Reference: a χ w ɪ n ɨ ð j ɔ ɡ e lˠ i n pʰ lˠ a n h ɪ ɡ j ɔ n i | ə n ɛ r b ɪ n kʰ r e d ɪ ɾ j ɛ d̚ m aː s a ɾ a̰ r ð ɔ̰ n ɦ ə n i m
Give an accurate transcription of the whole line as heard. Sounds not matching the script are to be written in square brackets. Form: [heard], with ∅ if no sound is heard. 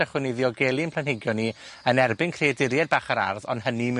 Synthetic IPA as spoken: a χ w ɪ n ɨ ð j ɔ ɡ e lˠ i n pʰ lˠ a n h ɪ ɡ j ɔ n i | ə n ɛ r b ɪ n kʰ r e d ɪ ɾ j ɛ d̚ [b] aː [χ] a ɾ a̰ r ð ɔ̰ n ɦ ə n i m